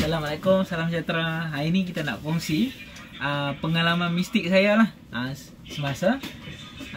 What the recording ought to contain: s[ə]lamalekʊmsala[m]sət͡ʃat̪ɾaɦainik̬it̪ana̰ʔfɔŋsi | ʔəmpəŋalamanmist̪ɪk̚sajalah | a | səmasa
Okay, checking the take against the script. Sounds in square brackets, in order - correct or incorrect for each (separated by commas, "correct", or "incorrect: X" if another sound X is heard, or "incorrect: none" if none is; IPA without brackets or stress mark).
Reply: incorrect: a, correct